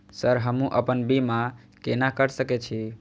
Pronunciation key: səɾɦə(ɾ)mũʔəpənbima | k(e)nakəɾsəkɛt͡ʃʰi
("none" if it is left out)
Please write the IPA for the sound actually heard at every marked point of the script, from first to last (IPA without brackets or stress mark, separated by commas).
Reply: none, e